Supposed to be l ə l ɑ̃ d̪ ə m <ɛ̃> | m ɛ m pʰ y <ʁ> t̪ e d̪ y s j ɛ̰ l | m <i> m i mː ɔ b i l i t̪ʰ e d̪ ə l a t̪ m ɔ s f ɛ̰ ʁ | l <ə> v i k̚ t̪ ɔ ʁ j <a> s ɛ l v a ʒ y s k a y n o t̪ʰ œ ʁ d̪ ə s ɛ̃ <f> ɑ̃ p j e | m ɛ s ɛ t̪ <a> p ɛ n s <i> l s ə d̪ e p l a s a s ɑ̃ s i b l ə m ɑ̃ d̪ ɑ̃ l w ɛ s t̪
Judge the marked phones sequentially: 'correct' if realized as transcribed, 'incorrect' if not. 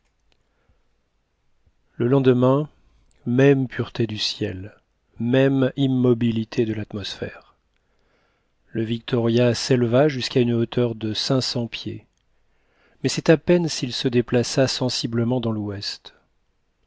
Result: correct, correct, incorrect, correct, correct, incorrect, correct, correct

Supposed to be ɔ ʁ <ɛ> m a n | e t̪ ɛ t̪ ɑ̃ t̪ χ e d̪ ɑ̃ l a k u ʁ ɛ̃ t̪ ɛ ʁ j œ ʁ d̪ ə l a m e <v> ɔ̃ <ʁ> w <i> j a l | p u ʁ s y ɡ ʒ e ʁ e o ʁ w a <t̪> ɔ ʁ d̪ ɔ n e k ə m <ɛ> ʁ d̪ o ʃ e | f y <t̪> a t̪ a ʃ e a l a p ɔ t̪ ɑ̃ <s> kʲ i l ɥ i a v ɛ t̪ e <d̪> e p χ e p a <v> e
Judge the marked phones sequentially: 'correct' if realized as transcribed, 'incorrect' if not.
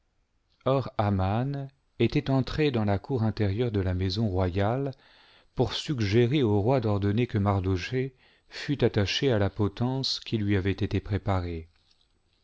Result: incorrect, incorrect, correct, incorrect, incorrect, incorrect, correct, correct, incorrect, incorrect

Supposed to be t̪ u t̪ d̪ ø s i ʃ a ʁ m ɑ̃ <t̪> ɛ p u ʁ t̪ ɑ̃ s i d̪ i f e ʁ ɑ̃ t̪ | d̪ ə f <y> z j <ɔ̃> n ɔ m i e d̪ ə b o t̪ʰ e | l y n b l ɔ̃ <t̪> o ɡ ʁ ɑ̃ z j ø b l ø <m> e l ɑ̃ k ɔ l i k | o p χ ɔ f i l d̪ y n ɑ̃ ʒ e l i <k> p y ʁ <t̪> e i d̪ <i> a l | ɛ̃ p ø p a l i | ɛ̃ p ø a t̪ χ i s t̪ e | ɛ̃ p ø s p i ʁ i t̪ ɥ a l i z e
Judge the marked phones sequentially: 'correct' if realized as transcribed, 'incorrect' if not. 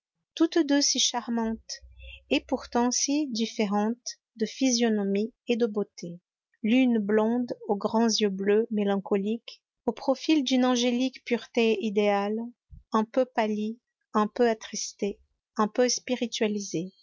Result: correct, incorrect, incorrect, incorrect, correct, correct, correct, incorrect

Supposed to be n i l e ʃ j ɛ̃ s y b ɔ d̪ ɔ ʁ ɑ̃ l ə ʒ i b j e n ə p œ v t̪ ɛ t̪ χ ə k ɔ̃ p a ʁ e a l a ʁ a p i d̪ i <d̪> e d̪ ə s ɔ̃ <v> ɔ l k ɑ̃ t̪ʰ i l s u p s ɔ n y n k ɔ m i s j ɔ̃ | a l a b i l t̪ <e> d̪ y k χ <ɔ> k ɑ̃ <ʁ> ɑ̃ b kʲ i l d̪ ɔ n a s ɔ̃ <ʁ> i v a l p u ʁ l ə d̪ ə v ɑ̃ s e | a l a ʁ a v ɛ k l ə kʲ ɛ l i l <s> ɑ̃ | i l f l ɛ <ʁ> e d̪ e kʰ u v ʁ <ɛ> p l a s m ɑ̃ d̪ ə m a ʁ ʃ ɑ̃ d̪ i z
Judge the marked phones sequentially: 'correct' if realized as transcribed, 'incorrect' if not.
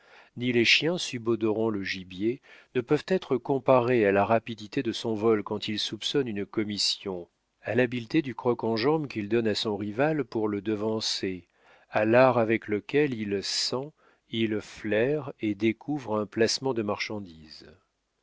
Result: incorrect, correct, correct, correct, incorrect, correct, correct, correct, incorrect

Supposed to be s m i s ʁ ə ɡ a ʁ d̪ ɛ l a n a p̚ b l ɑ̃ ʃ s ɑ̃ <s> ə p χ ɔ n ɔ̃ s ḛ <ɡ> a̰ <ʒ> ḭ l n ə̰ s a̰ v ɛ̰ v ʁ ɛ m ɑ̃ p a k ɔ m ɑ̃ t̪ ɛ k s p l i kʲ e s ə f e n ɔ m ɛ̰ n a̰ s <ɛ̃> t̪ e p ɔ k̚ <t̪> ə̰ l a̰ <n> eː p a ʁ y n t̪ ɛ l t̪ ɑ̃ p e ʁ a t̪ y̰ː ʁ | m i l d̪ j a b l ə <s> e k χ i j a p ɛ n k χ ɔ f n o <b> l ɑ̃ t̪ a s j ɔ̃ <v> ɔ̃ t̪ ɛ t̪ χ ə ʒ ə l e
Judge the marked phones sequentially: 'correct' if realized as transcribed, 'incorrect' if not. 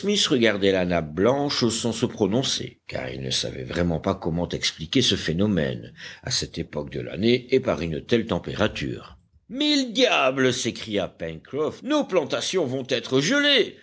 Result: correct, incorrect, incorrect, incorrect, incorrect, correct, correct, incorrect, correct

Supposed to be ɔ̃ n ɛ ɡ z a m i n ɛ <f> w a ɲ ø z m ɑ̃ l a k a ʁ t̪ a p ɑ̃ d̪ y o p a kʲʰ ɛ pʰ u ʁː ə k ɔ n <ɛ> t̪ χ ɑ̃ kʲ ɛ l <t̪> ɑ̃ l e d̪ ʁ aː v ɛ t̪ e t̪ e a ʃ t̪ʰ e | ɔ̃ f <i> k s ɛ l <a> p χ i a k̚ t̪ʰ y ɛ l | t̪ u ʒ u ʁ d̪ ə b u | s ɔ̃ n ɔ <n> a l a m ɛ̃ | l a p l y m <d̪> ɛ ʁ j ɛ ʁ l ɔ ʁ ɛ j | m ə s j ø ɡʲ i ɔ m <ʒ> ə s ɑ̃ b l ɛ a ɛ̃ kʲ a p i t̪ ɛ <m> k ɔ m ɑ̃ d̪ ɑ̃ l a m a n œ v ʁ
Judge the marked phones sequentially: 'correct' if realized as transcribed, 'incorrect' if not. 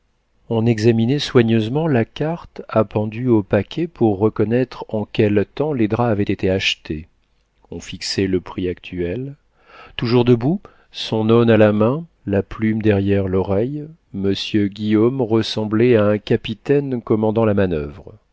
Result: incorrect, correct, correct, correct, incorrect, correct, correct, incorrect, incorrect

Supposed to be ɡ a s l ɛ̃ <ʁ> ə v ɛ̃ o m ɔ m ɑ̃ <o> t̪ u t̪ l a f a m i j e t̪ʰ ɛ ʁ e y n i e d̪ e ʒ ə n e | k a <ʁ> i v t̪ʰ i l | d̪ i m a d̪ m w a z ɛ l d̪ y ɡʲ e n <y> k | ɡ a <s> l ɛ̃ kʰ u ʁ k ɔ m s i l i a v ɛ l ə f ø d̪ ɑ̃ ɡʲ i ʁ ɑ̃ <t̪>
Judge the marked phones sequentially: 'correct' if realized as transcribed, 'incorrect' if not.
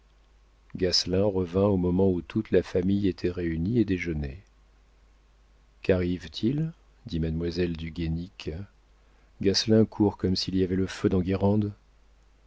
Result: correct, incorrect, correct, incorrect, correct, incorrect

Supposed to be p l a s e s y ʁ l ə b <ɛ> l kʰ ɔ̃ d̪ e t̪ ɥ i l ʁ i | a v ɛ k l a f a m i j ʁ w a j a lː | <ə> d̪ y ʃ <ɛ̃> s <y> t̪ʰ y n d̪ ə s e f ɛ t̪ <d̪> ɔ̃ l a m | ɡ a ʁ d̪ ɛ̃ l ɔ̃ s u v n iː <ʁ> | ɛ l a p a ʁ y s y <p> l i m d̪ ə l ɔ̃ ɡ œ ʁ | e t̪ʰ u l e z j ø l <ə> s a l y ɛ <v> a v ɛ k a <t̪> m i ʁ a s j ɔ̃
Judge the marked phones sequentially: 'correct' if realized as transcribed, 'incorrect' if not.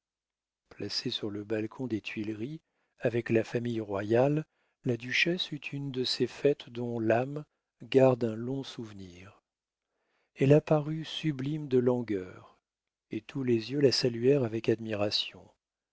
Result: incorrect, incorrect, incorrect, correct, correct, correct, incorrect, incorrect, incorrect, incorrect

